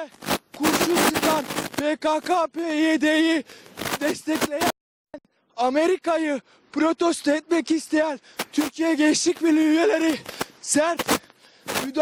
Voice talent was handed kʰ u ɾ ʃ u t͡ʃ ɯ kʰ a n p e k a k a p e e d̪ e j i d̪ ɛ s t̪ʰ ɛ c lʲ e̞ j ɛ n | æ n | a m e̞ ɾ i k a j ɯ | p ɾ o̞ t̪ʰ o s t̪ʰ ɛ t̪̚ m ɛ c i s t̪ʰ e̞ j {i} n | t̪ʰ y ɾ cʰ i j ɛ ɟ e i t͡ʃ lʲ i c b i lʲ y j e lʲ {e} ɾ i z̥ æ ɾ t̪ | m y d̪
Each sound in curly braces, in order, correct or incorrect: incorrect, correct

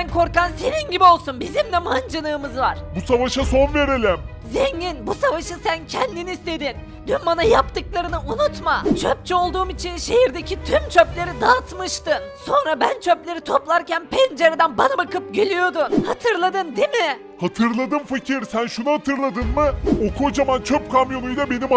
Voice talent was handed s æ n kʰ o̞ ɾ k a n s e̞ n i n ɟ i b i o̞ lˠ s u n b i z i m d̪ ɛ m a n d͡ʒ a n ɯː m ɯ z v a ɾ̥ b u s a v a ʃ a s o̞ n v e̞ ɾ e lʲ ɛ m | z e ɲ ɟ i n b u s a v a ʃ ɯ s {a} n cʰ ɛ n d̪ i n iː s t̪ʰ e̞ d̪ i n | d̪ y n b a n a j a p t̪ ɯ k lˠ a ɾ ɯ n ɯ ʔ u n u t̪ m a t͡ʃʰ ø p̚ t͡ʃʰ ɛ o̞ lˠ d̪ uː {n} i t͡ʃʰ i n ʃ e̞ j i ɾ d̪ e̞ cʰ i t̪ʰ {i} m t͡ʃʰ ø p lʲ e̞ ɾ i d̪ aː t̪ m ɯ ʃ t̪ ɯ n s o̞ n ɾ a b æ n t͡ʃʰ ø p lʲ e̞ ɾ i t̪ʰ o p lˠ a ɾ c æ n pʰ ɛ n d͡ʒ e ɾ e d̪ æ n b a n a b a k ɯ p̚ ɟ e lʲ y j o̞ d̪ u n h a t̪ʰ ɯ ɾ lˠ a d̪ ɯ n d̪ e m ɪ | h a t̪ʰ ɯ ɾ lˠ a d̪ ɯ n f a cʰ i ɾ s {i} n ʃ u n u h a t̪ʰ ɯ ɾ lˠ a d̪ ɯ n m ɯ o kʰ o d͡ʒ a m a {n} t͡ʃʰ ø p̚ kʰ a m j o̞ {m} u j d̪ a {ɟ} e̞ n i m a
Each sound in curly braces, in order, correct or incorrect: incorrect, incorrect, incorrect, incorrect, correct, incorrect, incorrect

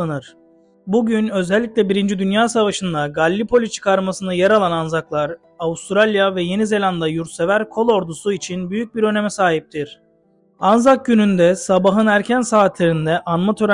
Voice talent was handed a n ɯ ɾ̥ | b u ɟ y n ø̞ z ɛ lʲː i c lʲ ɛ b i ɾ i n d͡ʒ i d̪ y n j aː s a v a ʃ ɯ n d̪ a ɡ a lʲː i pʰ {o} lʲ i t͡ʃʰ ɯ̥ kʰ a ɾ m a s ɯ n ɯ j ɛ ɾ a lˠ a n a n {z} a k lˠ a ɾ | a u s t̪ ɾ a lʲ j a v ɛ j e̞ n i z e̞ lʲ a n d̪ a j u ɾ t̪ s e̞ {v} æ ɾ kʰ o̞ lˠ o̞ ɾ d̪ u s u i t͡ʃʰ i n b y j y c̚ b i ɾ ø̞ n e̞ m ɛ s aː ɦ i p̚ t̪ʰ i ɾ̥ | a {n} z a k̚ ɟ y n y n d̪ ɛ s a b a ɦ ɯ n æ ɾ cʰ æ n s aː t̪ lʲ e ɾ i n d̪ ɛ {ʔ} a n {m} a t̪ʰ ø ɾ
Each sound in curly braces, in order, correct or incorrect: correct, correct, correct, correct, correct, correct

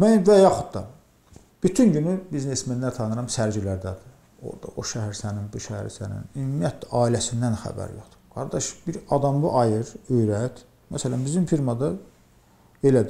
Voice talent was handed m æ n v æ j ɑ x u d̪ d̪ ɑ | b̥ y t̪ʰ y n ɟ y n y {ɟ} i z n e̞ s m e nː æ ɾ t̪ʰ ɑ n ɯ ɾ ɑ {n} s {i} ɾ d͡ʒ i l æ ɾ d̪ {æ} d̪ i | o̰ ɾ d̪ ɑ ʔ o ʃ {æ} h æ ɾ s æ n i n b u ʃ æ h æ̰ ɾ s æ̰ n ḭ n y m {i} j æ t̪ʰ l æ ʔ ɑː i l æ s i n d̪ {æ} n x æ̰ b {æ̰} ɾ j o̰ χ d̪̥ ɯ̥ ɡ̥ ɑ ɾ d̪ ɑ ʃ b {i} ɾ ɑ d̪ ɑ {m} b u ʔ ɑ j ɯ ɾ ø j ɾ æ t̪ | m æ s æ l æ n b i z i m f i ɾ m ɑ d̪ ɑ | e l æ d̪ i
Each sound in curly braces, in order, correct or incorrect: incorrect, incorrect, incorrect, correct, correct, correct, correct, correct, correct, correct

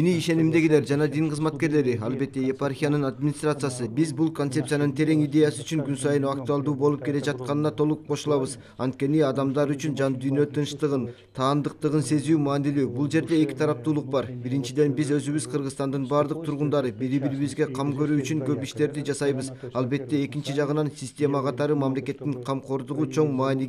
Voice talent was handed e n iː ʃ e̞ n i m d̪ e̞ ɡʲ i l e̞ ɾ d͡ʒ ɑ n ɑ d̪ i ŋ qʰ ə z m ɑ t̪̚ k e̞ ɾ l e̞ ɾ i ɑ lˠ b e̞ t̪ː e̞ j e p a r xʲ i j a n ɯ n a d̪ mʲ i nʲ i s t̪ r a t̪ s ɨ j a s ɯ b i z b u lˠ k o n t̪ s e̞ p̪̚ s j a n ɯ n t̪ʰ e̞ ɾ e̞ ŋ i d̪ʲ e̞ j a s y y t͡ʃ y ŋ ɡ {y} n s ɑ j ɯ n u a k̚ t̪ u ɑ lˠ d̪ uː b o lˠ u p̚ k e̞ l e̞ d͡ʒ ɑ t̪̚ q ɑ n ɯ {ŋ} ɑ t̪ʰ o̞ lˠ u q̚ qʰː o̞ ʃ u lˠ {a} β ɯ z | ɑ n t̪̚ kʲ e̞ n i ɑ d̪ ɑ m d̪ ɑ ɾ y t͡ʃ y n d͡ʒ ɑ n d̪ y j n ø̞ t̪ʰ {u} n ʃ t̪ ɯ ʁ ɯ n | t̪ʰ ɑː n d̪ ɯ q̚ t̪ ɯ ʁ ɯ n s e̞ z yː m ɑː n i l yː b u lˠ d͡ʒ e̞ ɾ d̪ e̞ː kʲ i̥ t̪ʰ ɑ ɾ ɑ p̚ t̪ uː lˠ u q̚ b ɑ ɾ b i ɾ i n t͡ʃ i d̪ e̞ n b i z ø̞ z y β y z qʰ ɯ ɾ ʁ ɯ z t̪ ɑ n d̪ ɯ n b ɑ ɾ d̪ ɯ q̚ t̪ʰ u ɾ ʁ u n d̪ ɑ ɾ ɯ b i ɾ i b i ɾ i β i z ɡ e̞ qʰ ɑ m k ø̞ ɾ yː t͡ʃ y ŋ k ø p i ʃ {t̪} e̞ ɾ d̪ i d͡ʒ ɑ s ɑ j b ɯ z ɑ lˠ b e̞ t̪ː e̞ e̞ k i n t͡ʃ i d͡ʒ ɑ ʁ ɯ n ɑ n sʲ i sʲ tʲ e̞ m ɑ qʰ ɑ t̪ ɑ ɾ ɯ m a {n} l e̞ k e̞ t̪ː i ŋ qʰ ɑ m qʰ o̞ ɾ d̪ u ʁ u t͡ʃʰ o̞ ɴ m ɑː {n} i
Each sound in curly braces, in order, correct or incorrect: correct, incorrect, incorrect, incorrect, correct, incorrect, correct

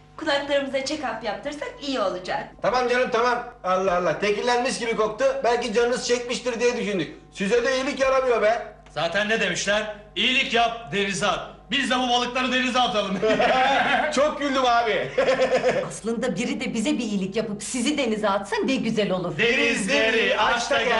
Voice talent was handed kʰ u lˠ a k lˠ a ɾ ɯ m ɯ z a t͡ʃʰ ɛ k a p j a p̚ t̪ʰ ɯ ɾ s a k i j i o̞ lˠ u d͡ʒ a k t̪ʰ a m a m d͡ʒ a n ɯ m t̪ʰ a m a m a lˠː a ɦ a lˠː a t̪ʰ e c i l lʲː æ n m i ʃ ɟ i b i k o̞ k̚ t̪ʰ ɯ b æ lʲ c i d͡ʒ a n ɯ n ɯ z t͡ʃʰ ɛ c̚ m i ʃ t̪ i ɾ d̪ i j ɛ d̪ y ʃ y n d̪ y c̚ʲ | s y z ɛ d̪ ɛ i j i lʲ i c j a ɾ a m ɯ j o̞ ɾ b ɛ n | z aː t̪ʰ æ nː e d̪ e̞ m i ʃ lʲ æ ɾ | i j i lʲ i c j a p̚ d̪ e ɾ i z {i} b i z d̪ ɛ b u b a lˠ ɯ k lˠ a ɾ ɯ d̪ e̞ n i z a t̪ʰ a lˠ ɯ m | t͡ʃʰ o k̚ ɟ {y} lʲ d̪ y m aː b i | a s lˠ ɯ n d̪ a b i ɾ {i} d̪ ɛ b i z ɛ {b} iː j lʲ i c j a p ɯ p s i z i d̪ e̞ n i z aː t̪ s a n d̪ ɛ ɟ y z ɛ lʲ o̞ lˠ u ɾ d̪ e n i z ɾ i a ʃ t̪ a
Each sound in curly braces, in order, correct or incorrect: incorrect, correct, correct, correct

